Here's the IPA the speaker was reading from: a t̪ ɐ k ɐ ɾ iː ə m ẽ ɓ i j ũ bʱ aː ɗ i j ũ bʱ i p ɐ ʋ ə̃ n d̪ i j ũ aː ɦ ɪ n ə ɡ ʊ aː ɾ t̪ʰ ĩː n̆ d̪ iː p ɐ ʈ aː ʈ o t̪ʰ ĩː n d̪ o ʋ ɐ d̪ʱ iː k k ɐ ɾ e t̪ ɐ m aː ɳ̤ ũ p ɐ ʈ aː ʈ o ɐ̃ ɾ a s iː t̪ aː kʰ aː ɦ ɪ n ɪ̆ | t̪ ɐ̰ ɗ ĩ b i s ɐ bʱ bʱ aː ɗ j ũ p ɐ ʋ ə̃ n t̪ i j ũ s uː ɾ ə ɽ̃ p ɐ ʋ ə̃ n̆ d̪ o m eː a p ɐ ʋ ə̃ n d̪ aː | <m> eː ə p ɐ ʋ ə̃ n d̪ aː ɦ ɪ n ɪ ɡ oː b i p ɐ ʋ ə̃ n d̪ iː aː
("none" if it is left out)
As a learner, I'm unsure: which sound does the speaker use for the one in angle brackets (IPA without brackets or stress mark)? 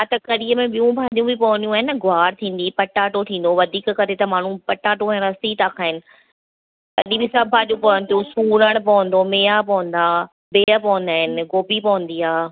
b